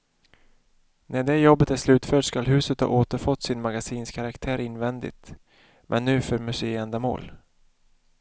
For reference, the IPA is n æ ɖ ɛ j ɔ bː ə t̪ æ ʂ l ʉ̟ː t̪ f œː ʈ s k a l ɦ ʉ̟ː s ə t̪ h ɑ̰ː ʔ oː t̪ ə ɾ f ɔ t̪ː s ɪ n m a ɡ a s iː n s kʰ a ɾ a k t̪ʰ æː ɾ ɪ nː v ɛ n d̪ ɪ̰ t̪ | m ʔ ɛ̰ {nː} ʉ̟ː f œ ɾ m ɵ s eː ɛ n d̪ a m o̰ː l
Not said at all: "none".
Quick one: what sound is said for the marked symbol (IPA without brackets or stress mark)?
nː